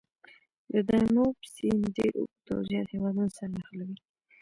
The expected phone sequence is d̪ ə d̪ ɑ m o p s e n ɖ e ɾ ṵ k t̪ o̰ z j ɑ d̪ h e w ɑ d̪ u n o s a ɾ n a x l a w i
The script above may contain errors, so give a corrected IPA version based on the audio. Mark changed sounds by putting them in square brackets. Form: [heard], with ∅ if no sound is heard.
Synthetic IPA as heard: d̪ ə d̪ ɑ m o p s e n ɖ e ɾ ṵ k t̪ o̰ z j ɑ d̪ h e w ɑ d̪ u n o s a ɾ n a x l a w i